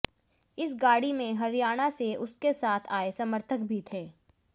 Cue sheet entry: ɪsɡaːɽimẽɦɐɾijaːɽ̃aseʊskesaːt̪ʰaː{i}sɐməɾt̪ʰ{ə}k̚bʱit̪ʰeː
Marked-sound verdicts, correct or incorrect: incorrect: e, correct

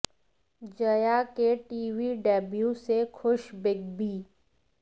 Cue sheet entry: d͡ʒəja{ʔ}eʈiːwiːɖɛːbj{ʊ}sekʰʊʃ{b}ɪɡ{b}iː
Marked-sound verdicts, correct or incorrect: incorrect: k, incorrect: u, correct, correct

